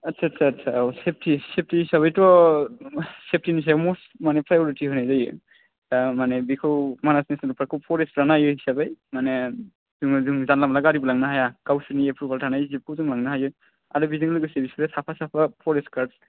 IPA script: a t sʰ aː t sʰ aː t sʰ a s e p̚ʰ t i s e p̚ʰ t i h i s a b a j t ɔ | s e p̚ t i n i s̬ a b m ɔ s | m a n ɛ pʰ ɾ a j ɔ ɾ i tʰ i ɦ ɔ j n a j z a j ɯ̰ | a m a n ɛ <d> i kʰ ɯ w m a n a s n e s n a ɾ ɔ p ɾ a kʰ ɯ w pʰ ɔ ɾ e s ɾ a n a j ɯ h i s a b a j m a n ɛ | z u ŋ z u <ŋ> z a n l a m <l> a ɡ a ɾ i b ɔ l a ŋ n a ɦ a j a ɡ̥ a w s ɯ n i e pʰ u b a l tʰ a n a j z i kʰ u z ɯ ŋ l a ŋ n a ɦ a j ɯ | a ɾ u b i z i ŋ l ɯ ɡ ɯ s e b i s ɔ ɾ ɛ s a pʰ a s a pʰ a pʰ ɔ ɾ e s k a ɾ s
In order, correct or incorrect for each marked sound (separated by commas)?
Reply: incorrect, correct, correct